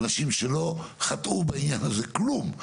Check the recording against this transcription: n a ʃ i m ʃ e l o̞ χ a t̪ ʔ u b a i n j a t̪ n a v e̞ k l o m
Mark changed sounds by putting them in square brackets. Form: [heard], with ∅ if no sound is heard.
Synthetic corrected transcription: n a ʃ i m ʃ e l o̞ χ a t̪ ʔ u b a i n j a [∅] n a [z] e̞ k l [u] m